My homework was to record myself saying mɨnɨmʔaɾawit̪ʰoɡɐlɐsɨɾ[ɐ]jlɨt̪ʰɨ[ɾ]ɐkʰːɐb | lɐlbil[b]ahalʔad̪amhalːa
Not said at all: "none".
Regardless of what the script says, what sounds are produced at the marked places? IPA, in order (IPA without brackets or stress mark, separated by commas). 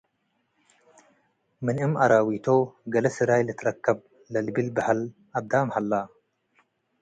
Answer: a, ɾ, b